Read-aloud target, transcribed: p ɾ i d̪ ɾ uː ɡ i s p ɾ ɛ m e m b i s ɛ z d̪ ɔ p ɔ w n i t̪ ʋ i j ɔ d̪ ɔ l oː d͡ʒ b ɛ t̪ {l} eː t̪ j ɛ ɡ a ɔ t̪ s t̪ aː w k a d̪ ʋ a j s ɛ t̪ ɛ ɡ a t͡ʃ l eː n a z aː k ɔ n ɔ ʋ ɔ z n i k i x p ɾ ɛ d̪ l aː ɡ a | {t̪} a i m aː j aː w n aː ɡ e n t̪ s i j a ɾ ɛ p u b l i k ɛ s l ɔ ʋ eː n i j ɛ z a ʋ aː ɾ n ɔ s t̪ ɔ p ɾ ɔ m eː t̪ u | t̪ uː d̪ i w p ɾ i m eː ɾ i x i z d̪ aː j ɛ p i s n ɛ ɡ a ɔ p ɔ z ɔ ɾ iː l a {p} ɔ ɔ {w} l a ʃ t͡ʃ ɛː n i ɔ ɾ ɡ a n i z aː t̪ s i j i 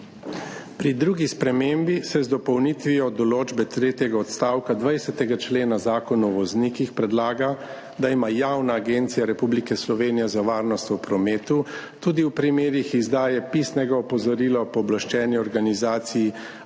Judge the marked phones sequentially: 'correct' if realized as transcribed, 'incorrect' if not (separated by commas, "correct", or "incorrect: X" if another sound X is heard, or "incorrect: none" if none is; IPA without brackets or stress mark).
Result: incorrect: ɾ, incorrect: d̪, correct, incorrect: b